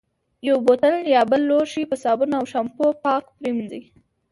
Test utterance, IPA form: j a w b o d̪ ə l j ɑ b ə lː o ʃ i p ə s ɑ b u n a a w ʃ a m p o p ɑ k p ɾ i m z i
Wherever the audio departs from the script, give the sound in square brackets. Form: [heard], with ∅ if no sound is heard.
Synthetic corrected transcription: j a w b o [t̪] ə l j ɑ b ə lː o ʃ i p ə s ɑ b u n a a w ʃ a m p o p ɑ k p ɾ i m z i